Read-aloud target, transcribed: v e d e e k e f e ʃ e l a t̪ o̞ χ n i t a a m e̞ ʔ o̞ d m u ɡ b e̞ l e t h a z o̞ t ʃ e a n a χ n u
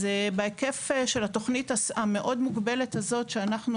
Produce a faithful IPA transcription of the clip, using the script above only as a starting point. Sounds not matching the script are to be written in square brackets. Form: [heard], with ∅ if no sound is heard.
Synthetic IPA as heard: [z] e [b] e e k e f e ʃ e l a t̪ o̞ χ n i t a a m e̞ ʔ o̞ d m u ɡ b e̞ l e t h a z o̞ t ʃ e a n a χ n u